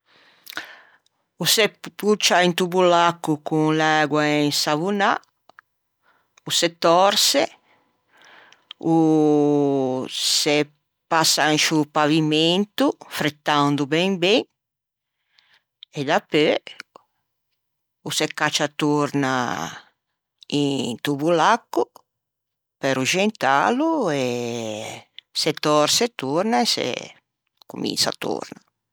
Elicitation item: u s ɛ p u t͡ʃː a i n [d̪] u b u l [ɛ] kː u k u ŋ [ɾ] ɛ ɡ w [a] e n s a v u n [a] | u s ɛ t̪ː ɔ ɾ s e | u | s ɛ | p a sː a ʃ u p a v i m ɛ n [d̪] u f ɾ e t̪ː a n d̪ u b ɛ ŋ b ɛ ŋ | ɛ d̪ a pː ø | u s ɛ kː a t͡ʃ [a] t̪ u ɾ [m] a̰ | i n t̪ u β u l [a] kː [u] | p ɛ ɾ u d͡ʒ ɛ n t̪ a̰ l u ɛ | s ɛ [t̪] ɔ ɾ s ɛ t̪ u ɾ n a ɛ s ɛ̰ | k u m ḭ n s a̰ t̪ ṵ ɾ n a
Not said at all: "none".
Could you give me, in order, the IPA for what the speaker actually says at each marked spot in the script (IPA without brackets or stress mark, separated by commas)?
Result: t̪, a, l, a, a, t̪, a, n, a, u, t̪